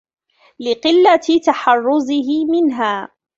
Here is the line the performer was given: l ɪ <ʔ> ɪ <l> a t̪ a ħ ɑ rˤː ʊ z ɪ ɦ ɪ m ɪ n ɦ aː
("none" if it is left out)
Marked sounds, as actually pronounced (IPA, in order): q, lː

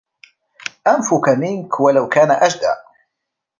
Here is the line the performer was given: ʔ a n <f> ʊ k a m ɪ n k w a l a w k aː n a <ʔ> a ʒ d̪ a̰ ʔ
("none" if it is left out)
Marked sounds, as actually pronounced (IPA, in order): f, ʔ

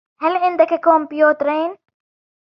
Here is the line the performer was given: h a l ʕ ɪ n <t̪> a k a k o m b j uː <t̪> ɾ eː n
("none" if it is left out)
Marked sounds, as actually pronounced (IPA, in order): d̪, t̪

